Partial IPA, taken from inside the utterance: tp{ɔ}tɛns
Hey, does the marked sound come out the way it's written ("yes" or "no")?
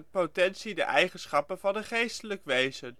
no